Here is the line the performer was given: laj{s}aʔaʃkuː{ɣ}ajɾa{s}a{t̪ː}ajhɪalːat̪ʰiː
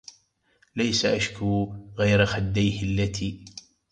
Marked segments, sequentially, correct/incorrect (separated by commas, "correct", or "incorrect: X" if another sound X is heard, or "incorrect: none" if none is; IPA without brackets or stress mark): correct, correct, incorrect: x, incorrect: d̪ː